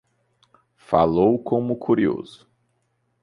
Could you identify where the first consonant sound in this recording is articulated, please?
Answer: labial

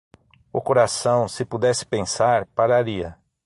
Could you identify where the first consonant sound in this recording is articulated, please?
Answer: velar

